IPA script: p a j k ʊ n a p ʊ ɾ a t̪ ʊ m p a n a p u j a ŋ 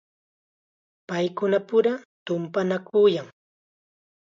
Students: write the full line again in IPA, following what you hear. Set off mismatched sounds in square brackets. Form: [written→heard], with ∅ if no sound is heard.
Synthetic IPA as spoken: p a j k ʊ n a p ʊ ɾ a t̪ ʊ m p a n a [p→k] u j a ŋ